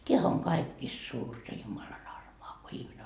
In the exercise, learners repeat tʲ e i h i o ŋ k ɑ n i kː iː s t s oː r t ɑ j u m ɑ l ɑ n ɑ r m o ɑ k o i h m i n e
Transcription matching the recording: tʲ e æ h æ o ŋ k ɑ i kː iː s t s uː r t ɑ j u m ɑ l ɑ n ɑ r m o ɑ k o i h m i n e